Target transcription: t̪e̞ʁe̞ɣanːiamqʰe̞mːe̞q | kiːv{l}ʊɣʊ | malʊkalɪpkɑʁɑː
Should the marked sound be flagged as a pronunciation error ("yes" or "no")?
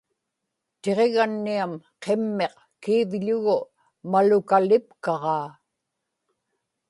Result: yes